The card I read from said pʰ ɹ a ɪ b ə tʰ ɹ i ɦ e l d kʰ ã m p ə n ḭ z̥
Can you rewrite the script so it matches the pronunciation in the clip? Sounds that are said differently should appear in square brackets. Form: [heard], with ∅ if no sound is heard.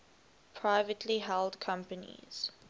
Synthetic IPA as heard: pʰ ɹ a ɪ [v] ə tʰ [l] i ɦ [ɛ] l d kʰ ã m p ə n ḭ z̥